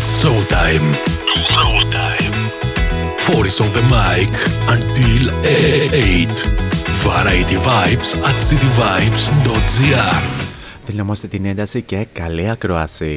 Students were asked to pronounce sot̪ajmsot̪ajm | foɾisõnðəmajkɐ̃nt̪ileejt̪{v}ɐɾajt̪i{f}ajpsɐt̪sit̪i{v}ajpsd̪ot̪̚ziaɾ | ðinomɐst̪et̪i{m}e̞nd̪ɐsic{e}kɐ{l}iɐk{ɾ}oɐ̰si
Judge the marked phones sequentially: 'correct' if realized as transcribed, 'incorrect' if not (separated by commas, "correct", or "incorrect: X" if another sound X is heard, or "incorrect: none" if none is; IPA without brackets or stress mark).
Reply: correct, incorrect: v, correct, incorrect: n, correct, correct, correct